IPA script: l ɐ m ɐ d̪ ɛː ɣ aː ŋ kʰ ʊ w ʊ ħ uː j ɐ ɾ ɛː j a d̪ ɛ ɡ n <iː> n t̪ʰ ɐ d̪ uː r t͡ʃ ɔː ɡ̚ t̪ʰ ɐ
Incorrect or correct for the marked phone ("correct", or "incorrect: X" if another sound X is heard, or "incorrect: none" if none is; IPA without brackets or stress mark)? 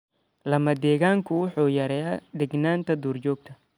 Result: incorrect: aː